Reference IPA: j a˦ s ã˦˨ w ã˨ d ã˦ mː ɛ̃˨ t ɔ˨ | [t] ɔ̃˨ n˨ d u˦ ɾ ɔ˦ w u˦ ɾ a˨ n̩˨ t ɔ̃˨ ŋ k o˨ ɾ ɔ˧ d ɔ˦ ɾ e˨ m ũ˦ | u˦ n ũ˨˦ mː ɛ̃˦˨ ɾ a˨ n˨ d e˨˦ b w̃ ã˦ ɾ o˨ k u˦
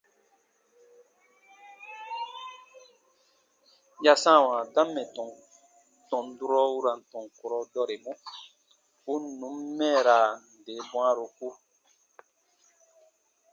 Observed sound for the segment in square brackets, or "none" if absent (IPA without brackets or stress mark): t